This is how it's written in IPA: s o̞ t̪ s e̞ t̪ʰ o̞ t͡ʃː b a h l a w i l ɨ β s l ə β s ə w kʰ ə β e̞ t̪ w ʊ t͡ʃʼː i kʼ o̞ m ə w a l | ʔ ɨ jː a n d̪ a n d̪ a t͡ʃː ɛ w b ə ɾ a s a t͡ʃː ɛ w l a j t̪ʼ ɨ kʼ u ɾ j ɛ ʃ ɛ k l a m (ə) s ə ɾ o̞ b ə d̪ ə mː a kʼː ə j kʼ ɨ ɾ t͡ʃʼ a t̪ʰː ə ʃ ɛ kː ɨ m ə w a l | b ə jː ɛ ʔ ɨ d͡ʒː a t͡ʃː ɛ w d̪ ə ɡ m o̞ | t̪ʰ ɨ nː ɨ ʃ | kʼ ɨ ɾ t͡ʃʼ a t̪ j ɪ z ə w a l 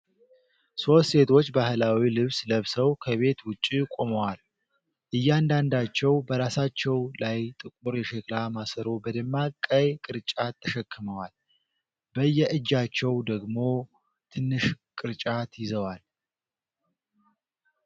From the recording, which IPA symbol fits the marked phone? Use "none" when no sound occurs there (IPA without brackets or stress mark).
a